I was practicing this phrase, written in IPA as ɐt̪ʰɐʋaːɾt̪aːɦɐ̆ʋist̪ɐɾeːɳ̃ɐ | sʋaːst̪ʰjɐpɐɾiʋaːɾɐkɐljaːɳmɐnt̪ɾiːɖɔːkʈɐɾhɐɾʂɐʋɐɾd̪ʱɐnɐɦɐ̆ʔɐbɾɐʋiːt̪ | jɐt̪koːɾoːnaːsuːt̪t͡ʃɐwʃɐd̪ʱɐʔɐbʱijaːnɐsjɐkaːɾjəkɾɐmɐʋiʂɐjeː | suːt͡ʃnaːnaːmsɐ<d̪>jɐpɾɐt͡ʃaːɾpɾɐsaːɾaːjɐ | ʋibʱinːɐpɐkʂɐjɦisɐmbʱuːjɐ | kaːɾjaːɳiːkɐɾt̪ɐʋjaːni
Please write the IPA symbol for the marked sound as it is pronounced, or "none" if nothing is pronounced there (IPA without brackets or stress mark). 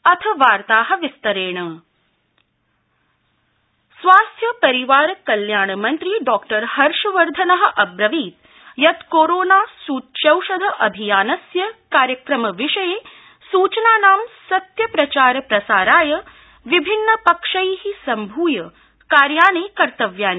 t̪